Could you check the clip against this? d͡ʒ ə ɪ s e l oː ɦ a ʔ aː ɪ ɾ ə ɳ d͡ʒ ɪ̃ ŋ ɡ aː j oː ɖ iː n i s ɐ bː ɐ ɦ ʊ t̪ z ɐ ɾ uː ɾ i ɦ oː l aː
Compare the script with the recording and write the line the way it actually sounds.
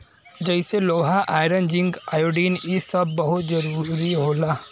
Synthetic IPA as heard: d͡ʒ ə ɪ s e l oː ɦ a ʔ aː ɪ ɾ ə n d͡ʒ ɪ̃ ŋ ɡ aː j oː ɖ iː n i s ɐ bː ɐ ɦ ʊ t̪ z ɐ ɾ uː ɾ i ɦ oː l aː